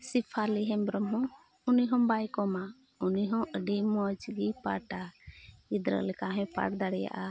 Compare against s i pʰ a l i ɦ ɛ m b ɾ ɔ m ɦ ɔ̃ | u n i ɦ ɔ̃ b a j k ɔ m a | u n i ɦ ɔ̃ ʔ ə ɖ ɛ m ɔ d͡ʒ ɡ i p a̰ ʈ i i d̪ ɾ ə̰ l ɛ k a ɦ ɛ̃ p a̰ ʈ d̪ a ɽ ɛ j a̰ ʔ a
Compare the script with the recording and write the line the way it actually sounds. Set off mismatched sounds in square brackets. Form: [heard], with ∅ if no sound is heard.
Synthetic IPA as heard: s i pʰ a l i ɦ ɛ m b ɾ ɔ m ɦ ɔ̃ | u n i ɦ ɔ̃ b a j k ɔ m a | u n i ɦ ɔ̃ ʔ ə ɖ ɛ m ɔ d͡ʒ ɡ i p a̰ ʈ [a] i d̪ ɾ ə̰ l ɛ k a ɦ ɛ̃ p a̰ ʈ d̪ a ɽ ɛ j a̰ ʔ a